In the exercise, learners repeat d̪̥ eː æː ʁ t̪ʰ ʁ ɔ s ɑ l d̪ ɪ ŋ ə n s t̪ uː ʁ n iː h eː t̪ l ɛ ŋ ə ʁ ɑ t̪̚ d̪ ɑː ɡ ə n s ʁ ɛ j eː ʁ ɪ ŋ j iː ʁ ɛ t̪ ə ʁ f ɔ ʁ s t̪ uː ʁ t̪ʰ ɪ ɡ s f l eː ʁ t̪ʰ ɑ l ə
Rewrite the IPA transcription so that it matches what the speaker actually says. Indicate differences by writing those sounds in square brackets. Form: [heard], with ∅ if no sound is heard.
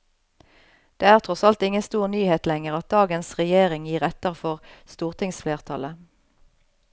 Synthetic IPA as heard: d̪̥ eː æː ʁ t̪ʰ ʁ ɔ s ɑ l [t̪] ɪ ŋ ə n s t̪ uː ʁ n [yː] h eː t̪ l ɛ ŋ ə ʁ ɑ t̪̚ d̪ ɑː ɡ ə n s ʁ ɛ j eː ʁ ɪ ŋ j iː ʁ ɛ t̪ ə ʁ f ɔ ʁ s t̪ uː ʁ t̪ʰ ɪ [ŋ] s f l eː ʁ t̪ʰ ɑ l ə